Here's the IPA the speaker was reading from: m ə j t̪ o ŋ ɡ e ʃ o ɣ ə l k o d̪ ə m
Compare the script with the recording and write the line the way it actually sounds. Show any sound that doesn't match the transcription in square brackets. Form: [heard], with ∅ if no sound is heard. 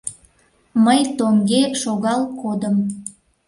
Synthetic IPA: m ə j t̪ o ŋ ɡ e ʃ o ɣ [ɑ] l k o d̪ ə m